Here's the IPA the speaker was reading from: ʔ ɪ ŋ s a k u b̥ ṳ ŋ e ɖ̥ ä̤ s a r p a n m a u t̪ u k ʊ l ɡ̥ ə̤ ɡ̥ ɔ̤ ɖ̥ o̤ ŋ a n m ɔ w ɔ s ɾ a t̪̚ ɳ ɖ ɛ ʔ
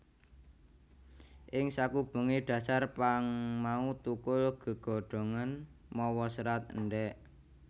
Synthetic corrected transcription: ʔ ɪ ŋ s a k u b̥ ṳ ŋ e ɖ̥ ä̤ s a r p a ŋ m a u t̪ u k ʊ l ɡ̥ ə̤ ɡ̥ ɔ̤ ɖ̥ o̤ ŋ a n m ɔ w ɔ s ɾ a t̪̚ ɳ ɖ ɛ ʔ